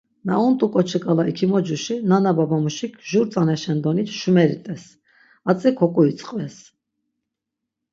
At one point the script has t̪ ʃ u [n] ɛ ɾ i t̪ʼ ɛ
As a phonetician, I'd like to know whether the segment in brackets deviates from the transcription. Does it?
yes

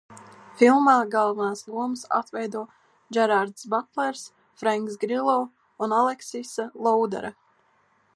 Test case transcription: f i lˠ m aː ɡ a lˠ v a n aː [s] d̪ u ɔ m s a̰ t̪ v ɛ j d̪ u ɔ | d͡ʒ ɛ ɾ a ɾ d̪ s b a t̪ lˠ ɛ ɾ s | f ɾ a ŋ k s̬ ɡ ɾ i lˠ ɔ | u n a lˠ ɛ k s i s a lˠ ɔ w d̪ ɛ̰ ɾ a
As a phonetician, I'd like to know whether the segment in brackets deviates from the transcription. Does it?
no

